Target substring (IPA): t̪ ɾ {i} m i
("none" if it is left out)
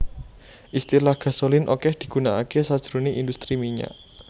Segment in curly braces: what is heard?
i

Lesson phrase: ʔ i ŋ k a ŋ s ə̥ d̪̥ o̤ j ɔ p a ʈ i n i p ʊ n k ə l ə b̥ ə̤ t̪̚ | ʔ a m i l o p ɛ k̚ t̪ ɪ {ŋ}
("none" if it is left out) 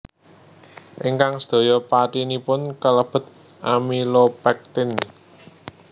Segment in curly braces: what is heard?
n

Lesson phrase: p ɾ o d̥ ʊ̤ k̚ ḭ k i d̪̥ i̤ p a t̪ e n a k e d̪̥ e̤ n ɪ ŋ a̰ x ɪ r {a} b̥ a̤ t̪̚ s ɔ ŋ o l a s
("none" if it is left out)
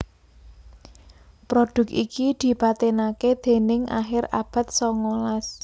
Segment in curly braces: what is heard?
a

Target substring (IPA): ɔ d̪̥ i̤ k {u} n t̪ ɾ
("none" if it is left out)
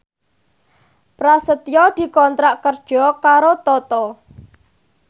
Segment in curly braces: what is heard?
ɔ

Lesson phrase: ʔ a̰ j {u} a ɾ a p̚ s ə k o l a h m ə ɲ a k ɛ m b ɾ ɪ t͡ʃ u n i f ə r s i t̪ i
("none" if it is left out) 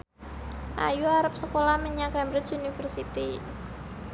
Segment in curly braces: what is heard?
u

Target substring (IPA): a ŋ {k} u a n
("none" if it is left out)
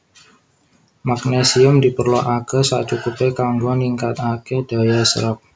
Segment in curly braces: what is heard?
ɡ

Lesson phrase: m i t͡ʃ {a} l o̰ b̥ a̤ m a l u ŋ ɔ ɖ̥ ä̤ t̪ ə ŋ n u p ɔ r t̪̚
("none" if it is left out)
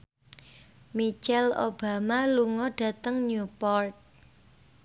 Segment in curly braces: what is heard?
ɛ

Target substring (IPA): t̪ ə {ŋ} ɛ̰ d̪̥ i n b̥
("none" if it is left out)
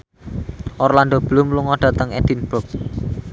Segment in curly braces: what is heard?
ŋ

